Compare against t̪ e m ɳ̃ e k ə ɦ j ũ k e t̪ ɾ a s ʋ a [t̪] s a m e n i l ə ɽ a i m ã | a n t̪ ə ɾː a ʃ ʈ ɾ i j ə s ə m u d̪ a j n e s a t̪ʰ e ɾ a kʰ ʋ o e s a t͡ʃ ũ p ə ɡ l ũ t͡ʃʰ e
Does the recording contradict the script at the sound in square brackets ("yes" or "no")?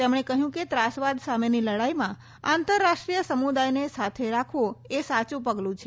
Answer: yes